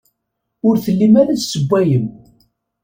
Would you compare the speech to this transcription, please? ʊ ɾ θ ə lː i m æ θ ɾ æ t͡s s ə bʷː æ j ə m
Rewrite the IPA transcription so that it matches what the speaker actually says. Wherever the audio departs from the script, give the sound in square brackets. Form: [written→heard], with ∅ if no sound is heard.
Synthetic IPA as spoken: ʊ ɾ θ ə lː i m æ [θ→∅] ɾ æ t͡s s ə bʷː æ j ə m